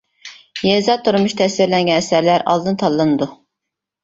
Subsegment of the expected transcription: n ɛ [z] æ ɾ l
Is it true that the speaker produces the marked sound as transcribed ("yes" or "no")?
no